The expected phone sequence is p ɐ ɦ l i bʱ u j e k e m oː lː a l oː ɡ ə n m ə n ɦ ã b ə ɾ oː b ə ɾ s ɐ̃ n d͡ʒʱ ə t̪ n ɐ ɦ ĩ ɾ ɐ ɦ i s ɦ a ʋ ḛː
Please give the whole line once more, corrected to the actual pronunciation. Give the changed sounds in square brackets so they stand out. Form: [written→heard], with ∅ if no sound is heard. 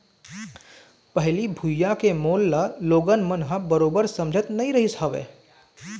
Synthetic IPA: p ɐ ɦ l i bʱ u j [e→a] k e m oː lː a l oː ɡ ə n m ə n ɦ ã b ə ɾ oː b ə ɾ s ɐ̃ [n→m] d͡ʒʱ ə t̪ n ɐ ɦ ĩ ɾ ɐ ɦ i s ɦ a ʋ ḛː